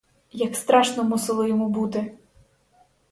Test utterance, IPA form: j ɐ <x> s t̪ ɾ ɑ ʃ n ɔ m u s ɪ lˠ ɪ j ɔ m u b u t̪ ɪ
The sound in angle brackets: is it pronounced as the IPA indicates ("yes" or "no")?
no